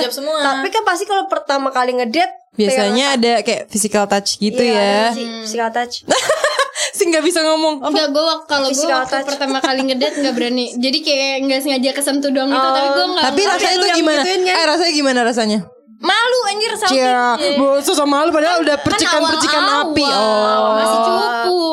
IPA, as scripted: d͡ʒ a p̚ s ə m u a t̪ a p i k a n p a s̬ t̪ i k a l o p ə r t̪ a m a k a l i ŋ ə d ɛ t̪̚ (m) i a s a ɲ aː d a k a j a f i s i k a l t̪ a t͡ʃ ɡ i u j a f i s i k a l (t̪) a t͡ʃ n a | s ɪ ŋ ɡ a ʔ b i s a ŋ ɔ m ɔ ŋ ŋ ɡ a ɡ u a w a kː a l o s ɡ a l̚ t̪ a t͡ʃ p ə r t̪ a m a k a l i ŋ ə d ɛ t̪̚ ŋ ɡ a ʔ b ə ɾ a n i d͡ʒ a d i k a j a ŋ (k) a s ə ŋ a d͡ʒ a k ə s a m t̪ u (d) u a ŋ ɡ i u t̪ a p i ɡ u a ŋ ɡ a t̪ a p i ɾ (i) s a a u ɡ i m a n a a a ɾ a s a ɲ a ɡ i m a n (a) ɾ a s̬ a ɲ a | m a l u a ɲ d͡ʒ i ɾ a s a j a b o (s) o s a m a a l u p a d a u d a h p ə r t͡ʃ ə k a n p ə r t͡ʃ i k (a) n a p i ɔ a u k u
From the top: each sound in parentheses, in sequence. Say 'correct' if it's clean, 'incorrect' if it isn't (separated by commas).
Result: incorrect, correct, incorrect, correct, incorrect, correct, correct, correct